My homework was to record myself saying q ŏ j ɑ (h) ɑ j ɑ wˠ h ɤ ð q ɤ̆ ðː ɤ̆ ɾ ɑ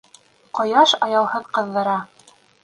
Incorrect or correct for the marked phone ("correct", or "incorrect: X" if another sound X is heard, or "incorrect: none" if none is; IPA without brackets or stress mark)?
incorrect: ʃ